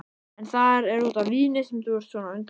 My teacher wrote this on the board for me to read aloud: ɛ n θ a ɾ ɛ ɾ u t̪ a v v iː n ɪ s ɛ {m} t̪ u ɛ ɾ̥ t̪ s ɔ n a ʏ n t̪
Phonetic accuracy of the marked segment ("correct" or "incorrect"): correct